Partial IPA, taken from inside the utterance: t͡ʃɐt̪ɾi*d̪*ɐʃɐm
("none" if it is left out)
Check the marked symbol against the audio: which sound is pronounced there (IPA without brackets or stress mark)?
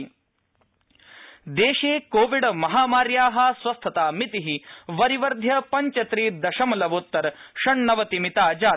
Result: d̪